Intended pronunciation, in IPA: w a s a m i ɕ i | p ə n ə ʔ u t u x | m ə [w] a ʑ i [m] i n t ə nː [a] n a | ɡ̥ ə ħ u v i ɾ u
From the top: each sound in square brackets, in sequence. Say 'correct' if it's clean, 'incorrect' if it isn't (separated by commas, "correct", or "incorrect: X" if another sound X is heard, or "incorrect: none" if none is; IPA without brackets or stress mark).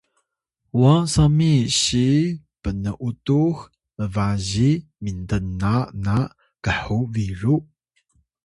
incorrect: v, correct, correct